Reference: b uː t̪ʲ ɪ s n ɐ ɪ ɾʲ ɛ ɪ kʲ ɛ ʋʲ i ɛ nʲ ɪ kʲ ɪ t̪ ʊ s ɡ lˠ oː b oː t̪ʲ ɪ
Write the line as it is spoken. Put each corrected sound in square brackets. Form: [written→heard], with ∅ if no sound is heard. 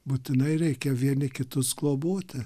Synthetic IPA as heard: b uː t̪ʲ ɪ [s→∅] n ɐ ɪ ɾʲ ɛ ɪ kʲ ɛ ʋʲ i ɛ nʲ ɪ kʲ ɪ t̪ ʊ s ɡ lˠ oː b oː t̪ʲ ɪ